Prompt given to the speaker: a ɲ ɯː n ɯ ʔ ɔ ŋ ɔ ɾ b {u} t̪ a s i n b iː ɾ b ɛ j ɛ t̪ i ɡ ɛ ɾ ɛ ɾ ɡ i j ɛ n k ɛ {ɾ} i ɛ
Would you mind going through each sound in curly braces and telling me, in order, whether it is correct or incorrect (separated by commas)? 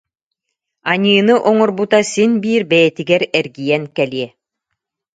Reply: correct, incorrect